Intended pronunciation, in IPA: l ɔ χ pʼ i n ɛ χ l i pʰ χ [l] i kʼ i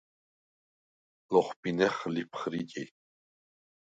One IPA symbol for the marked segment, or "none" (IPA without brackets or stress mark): ɾ